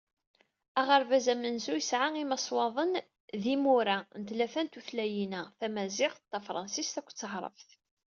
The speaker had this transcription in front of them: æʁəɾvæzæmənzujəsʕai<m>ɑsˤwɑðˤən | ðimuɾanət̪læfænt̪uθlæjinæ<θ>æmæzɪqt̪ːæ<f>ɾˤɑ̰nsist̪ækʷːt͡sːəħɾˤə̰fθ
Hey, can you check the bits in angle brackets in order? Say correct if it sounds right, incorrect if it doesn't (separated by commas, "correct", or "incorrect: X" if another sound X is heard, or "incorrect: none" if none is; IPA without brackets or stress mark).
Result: correct, correct, correct